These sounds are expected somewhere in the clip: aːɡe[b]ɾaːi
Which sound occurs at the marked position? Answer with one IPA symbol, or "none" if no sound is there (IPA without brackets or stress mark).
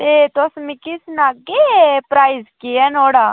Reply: p